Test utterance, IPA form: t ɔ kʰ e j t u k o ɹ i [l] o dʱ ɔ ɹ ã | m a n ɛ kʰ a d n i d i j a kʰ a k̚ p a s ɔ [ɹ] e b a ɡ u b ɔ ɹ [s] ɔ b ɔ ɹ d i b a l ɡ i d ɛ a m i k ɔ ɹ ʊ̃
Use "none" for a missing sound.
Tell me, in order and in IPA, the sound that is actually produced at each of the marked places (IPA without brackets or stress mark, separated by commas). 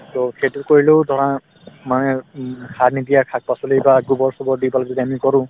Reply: l, l, s